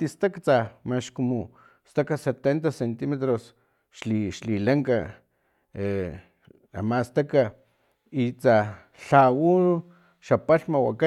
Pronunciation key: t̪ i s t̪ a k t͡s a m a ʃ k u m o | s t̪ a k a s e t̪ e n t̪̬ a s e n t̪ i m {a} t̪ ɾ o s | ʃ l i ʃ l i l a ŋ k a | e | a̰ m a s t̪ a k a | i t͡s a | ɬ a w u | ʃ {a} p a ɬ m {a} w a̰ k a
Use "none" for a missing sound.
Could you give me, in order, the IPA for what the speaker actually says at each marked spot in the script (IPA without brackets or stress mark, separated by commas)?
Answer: e, a, a